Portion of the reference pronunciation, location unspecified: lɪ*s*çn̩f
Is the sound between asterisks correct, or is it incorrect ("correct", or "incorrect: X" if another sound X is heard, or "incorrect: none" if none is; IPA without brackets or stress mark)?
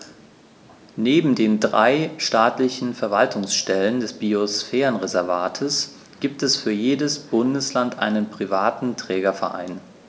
incorrect: none